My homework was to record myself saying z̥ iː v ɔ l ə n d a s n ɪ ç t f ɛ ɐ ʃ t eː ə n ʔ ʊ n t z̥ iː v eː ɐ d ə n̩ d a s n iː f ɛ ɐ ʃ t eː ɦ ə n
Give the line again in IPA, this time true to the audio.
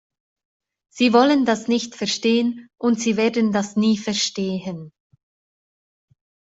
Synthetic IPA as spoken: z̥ iː v ɔ l ə n d a s n ɪ ç t f ɛ ɐ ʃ t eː ə n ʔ ʊ n t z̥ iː v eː ɐ d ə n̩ d a s n iː f ɛ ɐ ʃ t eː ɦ ə n

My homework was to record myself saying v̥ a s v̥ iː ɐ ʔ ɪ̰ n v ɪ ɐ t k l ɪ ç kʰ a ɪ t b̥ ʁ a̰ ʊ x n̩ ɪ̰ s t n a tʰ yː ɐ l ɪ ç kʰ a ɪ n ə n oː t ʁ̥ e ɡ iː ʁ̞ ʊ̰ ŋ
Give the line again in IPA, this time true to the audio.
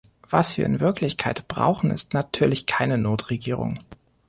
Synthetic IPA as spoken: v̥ a s v̥ iː ɐ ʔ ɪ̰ n v ɪ ɐ k l ɪ ç kʰ a ɪ t b̥ ʁ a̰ ʊ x n̩ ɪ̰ s t n a tʰ yː ɐ l ɪ ç kʰ a ɪ n ə n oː t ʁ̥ e ɡ iː ʁ̞ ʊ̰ ŋ

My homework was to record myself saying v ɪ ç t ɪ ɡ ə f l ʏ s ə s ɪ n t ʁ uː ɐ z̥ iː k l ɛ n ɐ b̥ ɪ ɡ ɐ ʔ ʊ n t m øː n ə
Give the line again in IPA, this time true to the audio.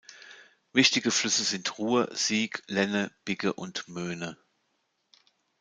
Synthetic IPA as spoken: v ɪ ç t ɪ ɡ ə f l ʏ s ə z ɪ n t ʁ uː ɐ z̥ iː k l ɛ n ə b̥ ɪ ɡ ə ʔ ʊ n t m øː n ə

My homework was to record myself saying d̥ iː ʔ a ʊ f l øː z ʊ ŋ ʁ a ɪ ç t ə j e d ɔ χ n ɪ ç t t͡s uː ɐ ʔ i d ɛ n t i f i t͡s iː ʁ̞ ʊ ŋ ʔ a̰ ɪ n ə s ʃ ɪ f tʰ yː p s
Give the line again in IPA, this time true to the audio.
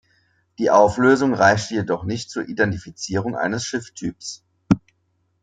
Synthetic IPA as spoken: d̥ iː ʔ a ʊ f l øː z ʊ ŋ ʁ a ɪ ç t ə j e d ɔ χ n ɪ ç t t͡s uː ɐ ʔ i d ɛ n t i f i t͡s iː ʁ̞ ʊ ŋ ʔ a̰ ɪ n ə s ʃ ɪ f tʰ yː p s

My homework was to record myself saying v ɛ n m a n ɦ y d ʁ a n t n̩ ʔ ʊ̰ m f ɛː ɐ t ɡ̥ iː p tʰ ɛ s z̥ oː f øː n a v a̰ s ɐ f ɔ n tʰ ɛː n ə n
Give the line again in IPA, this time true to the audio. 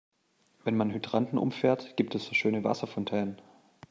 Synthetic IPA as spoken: v ɛ n m a n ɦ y d ʁ a n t n̩ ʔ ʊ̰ m f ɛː ɐ t ɡ̥ iː p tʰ ɛ s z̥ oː ʃ øː n ə v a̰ s ɐ f ɔ n tʰ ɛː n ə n

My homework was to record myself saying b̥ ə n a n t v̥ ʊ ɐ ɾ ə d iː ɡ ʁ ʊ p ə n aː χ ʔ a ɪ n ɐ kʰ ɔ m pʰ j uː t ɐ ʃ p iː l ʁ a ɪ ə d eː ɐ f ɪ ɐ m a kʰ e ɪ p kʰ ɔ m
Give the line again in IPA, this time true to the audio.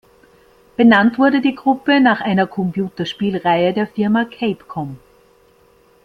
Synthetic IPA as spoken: b̥ ə n a n t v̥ ʊ ɐ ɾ ə d iː ɡ ʁ ʊ p ə n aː χ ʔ a ɪ n ɐ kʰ ɔ m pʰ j uː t ɐ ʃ p iː l ʁ a ɪ ə d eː ɐ f ɪ ɐ m a kʰ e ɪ p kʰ ɔ m

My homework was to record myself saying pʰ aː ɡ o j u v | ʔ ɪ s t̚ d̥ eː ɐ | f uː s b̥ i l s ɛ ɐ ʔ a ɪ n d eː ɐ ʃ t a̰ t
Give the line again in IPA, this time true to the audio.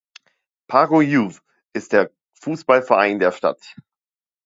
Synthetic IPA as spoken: pʰ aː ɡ o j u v | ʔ ɪ s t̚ d̥ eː ɐ | f uː s b̥ a l f ɛ ɐ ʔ a ɪ n d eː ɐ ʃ t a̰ t

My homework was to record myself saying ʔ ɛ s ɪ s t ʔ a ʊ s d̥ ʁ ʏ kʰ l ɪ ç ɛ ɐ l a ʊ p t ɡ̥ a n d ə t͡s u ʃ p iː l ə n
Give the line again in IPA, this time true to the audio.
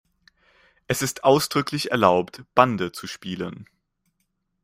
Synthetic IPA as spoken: ʔ ɛ s ɪ s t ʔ a ʊ s d̥ ʁ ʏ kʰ l ɪ ç ɛ ɐ l a ʊ p t b̥ a n d ə t͡s u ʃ p iː l ə n

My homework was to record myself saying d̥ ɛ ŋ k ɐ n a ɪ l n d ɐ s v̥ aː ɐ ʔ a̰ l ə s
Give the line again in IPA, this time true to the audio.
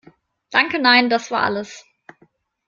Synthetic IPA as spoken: d̥ a ŋ k ə n a ɪ n d a s v̥ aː ɐ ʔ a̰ l ə s

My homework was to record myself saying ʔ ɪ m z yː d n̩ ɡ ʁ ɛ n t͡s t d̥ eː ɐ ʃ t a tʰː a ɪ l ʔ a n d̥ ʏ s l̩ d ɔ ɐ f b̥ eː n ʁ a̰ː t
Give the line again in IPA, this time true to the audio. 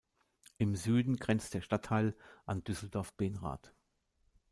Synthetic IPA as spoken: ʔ ɪ m z yː d n̩ ɡ ʁ ɛ n t͡s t d̥ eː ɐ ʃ t a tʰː a ɪ l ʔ a n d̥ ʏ s l̩ d ɔ ɐ f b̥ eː n ʁ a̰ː t

